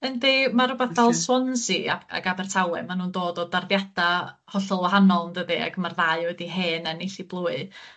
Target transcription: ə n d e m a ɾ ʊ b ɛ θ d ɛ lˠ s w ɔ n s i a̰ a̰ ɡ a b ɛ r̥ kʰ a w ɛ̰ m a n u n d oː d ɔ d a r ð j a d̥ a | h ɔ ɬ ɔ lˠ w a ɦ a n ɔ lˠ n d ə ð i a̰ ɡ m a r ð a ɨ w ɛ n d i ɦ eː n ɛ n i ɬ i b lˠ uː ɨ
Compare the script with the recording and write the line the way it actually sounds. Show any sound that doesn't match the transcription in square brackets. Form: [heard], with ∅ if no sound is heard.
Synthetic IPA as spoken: ə n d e m a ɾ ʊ b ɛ θ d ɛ lˠ s w ɔ n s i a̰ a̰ ɡ a b ɛ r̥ [tʰ] a w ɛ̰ m a n [uː] n d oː d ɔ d a r ð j a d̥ a | h ɔ ɬ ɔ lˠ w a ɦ a n ɔ lˠ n d ə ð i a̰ ɡ m a r ð a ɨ w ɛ [∅] d i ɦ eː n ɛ n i ɬ i b lˠ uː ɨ